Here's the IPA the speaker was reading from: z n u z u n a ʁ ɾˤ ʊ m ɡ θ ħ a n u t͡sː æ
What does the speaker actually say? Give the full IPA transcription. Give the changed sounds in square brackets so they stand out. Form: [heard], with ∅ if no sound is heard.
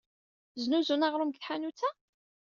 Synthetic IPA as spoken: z n u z u n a ʁ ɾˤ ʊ m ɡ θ ħ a n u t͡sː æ